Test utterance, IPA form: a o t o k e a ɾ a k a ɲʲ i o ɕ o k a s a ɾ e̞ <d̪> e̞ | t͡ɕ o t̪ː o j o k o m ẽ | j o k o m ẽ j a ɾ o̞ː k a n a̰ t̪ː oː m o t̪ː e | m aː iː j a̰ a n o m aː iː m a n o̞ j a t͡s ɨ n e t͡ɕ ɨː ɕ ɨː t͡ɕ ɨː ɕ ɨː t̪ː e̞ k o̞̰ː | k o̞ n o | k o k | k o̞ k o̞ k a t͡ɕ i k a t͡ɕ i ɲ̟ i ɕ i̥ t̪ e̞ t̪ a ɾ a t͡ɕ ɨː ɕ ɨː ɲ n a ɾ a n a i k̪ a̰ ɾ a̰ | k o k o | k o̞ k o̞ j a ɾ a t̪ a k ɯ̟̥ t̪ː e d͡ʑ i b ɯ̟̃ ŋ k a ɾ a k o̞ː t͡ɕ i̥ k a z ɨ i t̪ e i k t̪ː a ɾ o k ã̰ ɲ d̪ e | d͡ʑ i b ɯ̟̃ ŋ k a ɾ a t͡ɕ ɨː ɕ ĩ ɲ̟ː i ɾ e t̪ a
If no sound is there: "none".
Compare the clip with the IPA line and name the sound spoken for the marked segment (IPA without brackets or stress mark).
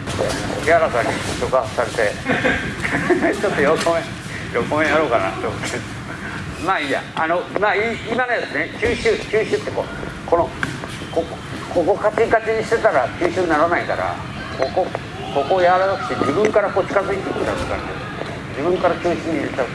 t̪